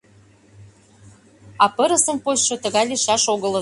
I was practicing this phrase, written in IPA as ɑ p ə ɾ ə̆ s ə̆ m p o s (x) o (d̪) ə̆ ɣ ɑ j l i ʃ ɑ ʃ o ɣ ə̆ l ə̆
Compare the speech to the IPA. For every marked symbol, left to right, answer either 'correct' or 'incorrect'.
incorrect, incorrect

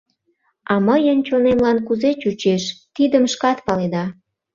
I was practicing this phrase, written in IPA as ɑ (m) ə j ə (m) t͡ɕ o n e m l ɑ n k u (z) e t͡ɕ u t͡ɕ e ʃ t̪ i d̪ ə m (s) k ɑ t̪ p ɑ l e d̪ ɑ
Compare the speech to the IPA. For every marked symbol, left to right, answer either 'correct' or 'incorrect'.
correct, incorrect, correct, incorrect

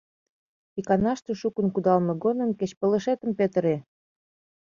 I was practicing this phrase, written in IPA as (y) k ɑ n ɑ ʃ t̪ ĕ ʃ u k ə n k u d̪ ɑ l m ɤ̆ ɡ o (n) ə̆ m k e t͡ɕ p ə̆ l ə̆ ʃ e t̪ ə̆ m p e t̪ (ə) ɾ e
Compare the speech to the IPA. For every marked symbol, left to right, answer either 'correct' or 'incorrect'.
incorrect, correct, correct

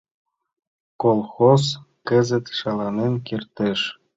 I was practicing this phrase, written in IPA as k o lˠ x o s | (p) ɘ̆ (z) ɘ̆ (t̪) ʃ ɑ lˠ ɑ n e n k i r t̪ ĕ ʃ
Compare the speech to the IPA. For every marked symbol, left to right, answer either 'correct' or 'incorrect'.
incorrect, correct, correct

